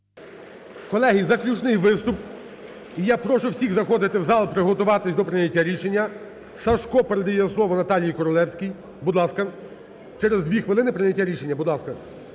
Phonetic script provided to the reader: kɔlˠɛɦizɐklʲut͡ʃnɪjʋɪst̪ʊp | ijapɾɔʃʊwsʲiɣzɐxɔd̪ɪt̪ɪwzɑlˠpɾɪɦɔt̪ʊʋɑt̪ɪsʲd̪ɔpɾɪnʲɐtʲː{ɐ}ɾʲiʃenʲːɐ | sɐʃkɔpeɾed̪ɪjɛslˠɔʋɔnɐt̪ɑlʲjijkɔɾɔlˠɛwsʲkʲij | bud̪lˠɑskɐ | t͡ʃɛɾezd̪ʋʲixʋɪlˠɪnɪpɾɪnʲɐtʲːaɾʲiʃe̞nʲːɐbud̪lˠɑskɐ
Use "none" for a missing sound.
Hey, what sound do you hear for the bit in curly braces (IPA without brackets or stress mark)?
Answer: a